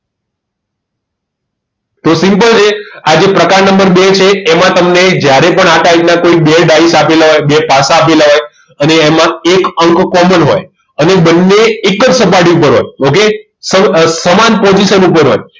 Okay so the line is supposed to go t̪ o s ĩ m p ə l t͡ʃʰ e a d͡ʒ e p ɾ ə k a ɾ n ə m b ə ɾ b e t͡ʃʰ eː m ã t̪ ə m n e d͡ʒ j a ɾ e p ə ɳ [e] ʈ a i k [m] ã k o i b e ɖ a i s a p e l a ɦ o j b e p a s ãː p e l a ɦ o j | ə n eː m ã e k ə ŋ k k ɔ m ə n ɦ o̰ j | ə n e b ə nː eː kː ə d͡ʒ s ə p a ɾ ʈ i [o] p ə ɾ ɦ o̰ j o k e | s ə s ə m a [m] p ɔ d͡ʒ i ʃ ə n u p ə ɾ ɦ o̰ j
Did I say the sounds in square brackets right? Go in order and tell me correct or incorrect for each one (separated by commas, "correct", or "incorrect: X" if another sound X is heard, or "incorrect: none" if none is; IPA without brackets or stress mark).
incorrect: a, incorrect: n, incorrect: u, incorrect: n